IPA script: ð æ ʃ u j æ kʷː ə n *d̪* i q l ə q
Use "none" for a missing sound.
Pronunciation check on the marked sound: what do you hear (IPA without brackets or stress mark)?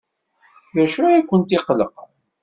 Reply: t̪